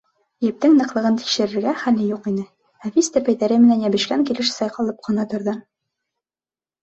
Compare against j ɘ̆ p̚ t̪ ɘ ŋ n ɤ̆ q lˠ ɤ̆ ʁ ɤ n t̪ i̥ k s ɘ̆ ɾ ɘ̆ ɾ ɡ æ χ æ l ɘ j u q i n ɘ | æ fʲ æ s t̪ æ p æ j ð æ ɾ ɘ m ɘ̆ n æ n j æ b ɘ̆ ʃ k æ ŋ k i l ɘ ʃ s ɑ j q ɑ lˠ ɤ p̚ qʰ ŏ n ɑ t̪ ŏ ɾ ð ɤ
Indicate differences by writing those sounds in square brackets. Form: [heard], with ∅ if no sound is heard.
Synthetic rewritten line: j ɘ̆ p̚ t̪ ɘ ŋ n ɤ̆ q lˠ ɤ̆ ʁ ɤ n t̪ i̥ k [ʃ] ɘ̆ ɾ ɘ̆ ɾ ɡ æ χ æ l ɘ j u q i n ɘ | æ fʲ [i] s t̪ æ p æ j ð æ ɾ ɘ m ɘ̆ n æ n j æ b ɘ̆ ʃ k æ ŋ k i l ɘ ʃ s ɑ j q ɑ lˠ ɤ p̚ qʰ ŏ n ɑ t̪ ŏ ɾ ð ɤ